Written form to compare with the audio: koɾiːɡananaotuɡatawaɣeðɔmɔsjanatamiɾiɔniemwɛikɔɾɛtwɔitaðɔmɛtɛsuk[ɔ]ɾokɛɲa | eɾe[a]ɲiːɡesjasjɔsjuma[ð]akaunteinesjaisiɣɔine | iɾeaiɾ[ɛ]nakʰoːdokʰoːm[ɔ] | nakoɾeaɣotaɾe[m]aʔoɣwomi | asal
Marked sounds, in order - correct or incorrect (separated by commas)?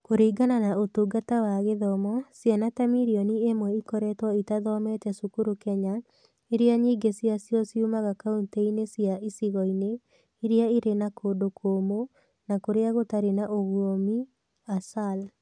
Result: incorrect, correct, incorrect, incorrect, incorrect, incorrect